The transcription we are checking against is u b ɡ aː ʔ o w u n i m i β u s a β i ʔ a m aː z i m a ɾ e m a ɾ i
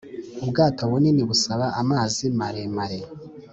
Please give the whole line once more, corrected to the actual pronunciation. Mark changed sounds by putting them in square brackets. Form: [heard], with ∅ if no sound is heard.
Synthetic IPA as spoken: u b ɡ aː [t] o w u n i [n] i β u s a β [a] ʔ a m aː z i m a ɾ e m a ɾ [e]